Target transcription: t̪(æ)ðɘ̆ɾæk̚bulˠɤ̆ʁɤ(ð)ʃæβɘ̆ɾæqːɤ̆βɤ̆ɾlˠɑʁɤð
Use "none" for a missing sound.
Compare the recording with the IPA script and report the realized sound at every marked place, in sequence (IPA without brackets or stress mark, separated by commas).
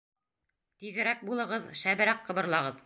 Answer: i, ð